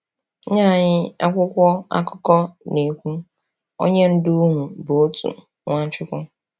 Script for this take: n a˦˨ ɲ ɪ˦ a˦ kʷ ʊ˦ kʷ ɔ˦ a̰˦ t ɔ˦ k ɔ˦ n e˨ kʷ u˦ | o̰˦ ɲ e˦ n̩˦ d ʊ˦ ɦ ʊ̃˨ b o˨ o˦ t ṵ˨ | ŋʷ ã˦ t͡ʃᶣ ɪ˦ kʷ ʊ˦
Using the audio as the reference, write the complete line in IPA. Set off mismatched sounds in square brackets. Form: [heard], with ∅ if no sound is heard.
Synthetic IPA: [ɲ] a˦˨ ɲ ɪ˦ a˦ kʷ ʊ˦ kʷ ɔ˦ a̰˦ [k] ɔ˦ k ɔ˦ n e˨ kʷ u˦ | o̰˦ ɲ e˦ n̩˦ d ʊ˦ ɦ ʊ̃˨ b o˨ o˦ t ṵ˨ | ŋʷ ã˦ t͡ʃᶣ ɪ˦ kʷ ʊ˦